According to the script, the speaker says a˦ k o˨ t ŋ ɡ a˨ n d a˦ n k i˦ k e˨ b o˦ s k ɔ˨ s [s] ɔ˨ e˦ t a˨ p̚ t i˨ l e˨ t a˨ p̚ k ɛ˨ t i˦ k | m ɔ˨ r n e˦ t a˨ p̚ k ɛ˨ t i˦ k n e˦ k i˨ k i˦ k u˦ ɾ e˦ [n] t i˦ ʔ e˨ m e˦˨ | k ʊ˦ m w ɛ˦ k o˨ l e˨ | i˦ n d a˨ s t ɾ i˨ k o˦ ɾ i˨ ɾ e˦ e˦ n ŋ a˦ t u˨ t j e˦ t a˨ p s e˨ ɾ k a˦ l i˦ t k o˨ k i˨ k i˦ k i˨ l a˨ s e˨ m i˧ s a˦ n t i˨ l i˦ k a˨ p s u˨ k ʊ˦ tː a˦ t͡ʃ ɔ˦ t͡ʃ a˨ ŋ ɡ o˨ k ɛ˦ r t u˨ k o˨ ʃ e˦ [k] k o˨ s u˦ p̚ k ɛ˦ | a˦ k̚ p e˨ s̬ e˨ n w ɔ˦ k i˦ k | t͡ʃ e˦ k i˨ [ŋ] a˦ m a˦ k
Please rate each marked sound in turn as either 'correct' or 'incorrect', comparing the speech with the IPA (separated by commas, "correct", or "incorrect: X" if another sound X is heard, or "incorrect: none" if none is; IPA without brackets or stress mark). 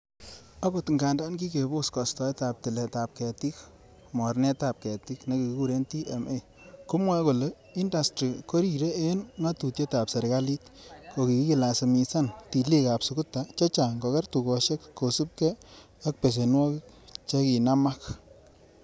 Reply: incorrect: t, correct, correct, incorrect: n